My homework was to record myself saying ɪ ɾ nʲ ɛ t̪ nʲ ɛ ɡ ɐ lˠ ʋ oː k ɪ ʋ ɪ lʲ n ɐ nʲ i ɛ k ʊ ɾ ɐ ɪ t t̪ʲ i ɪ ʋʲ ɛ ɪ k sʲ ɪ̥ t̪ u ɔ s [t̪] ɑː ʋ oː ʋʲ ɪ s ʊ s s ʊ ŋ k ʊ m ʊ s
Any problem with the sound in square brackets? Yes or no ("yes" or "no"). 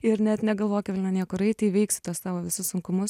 no